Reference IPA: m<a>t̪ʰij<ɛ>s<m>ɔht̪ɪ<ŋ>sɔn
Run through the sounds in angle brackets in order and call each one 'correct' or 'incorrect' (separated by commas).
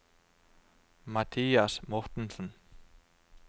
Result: correct, incorrect, correct, incorrect